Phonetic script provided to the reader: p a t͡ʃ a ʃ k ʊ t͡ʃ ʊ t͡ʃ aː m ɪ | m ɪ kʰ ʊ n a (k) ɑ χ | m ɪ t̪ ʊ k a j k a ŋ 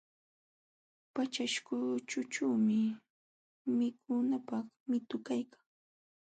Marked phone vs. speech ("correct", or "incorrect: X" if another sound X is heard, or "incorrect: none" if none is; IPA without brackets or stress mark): incorrect: p